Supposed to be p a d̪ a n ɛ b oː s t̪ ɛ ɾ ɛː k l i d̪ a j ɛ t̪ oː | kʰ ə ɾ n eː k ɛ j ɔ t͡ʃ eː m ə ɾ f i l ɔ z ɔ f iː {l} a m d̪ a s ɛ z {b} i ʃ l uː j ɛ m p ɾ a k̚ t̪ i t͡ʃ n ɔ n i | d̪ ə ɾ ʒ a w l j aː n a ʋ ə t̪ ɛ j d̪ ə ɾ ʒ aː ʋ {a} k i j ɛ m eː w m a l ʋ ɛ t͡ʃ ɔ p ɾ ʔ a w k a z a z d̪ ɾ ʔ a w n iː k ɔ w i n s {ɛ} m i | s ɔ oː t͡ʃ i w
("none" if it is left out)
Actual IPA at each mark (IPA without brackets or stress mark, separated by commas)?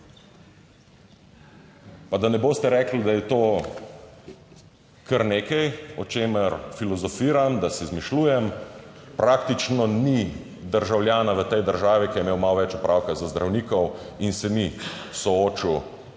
ɾ, m, i, ɛ